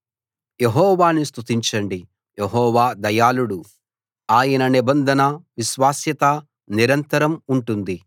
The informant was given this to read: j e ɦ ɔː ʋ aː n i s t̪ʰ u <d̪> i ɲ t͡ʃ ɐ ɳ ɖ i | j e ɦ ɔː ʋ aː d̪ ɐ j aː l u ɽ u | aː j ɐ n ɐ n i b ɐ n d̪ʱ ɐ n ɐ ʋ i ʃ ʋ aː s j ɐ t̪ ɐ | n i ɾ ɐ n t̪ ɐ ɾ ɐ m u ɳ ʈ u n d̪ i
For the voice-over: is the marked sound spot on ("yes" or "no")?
no